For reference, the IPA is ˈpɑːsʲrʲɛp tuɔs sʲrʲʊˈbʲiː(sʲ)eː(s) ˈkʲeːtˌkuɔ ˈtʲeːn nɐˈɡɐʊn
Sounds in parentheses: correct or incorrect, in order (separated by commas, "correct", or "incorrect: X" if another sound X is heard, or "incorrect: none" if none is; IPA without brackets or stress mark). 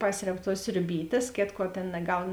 incorrect: tʲ, correct